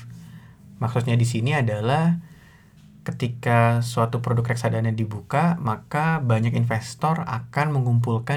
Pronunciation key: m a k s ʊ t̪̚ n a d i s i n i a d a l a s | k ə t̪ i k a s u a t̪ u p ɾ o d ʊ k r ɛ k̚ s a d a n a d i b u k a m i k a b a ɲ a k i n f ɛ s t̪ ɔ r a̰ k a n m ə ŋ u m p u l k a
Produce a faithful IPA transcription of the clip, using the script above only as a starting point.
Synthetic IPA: m a k s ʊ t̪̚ ɲ a d i s i n i a d a l a h | k ə t̪ i k a s u a t̪ u p ɾ o d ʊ k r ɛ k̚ s a d a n a d i b u k a m a k a b a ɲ a k i n f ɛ s t̪ ɔ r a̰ k a n m ə ŋ u m p u l k a